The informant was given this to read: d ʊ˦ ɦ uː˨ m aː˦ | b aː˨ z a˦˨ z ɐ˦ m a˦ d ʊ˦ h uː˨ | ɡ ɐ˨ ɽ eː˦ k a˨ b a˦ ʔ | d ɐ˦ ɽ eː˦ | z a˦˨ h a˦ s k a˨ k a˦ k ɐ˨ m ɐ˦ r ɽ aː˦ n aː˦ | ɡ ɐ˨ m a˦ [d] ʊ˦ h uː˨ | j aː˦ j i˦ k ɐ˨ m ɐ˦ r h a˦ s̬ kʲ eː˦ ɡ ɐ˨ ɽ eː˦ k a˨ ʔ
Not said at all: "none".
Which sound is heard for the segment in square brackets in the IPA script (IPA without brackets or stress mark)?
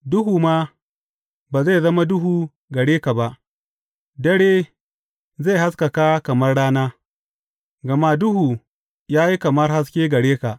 d